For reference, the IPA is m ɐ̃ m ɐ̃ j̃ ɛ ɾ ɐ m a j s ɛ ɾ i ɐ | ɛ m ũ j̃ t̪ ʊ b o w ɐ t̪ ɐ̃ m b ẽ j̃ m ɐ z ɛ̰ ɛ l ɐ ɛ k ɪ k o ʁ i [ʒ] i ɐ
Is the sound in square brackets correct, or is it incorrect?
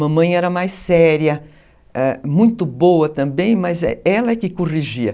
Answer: correct